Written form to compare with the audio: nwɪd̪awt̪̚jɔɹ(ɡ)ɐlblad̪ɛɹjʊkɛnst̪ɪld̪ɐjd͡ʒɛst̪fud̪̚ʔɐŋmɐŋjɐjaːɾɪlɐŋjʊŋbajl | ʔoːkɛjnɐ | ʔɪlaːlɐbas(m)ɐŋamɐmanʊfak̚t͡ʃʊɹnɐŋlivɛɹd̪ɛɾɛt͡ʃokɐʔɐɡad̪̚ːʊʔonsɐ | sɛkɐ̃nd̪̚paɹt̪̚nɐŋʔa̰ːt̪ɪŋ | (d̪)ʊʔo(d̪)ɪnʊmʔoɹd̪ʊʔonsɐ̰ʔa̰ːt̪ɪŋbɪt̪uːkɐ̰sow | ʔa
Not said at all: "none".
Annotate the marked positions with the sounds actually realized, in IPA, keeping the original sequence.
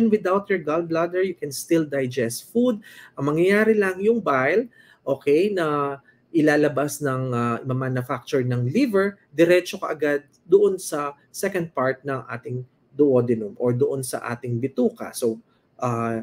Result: ɡ, n, d̪, d̪

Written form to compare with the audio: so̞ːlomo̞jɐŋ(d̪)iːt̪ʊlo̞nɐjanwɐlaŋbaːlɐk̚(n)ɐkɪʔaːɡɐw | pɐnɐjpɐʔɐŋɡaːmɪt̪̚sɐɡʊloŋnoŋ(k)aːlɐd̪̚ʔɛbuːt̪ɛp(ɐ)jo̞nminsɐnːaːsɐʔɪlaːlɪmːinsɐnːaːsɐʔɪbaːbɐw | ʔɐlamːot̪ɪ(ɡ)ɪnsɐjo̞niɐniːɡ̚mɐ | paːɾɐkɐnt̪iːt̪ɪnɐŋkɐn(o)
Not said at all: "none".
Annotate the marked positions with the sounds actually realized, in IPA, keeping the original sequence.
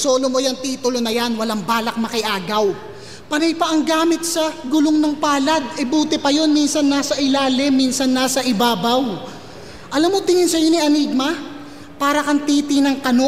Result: t̪, m, p, ɐ, ŋ, o

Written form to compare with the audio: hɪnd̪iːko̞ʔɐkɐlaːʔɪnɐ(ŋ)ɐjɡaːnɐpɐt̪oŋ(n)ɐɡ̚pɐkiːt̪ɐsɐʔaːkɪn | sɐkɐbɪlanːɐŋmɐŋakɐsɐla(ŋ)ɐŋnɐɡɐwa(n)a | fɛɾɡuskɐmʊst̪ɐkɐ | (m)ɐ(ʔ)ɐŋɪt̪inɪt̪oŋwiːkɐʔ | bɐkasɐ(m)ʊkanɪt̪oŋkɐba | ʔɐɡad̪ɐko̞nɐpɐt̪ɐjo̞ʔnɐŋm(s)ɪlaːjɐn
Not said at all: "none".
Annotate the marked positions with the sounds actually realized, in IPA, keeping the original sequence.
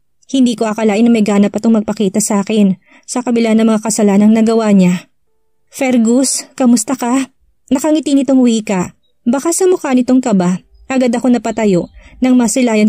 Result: m, m, n, ɲ, n, k, m, s

